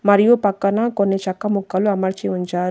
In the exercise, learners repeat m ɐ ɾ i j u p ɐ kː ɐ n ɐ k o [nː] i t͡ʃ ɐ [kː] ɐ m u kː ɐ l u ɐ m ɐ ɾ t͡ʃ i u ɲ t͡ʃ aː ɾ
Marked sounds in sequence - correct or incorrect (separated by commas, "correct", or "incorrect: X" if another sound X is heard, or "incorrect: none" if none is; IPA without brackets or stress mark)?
correct, correct